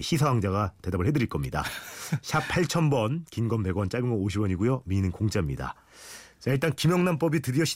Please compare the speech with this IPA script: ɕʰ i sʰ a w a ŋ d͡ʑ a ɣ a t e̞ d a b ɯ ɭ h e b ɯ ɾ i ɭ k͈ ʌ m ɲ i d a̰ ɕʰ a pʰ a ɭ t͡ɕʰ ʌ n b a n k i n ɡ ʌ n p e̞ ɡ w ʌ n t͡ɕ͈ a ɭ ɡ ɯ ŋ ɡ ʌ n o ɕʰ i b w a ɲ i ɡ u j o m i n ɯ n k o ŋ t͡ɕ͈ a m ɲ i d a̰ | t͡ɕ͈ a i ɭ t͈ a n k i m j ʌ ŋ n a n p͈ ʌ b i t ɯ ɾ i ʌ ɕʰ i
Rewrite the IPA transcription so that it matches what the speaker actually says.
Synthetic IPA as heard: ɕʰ i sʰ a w a ŋ d͡ʑ a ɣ a t e̞ d a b ɯ ɭ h e d ɯ ɾ i ɭ k͈ ʌ m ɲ i d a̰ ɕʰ a pʰ a ɭ t͡ɕʰ ʌ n b ʌ n k i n ɡ ʌ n p e̞ ɡ w ʌ n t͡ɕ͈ a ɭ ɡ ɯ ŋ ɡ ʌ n o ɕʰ i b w ʌ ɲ i ɡ u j o m i n ɯ n k o ŋ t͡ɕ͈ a m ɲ i d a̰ | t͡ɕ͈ a i ɭ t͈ a n k i m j ʌ ŋ n a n p͈ ʌ b i t ɯ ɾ i ʌ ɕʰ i